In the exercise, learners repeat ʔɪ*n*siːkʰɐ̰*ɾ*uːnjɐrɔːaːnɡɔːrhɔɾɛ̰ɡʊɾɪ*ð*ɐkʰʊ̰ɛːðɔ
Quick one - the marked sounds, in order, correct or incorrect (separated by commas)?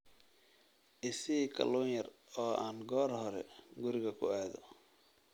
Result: incorrect, incorrect, incorrect